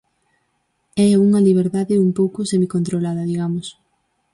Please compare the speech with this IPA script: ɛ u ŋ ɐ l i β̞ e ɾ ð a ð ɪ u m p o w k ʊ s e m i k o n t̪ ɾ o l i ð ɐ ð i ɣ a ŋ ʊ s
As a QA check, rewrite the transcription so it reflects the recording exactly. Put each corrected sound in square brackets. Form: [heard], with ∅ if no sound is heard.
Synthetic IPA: ɛ u ŋ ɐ l i β̞ e ɾ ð a ð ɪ u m p o w k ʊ s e m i k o n t̪ ɾ o l [a] ð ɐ ð i ɣ a [m] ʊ s